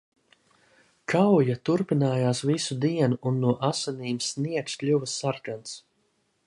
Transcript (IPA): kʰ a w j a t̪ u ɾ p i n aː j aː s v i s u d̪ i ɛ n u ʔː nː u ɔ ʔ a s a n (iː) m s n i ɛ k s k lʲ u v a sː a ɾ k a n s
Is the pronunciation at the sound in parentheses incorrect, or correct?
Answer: correct